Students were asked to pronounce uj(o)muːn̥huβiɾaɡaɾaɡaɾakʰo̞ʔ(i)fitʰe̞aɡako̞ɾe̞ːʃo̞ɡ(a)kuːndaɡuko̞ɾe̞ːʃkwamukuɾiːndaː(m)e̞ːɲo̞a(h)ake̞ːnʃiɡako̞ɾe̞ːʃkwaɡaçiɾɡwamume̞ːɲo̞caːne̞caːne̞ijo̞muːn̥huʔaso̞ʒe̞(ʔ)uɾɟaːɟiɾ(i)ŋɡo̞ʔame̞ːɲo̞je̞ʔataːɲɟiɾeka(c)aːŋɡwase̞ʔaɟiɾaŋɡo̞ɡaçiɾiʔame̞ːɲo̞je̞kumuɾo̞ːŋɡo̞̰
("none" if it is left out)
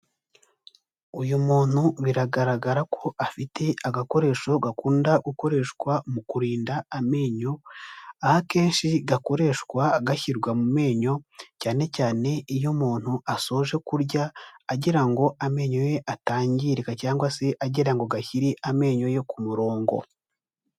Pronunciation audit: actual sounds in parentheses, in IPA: u, a, a, m, h, k, a, c

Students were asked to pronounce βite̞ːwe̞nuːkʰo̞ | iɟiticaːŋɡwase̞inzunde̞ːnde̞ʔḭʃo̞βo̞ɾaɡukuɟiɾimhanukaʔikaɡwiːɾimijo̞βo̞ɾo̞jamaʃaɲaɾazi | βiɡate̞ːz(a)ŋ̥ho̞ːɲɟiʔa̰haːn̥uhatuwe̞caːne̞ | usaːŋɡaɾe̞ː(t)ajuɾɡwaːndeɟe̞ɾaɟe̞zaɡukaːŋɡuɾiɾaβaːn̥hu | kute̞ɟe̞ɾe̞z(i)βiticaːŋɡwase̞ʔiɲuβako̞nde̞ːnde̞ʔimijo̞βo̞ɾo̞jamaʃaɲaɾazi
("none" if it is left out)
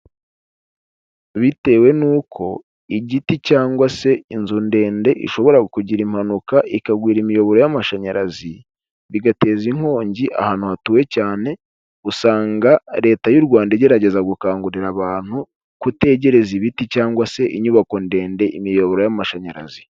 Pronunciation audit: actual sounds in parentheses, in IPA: i, t, i

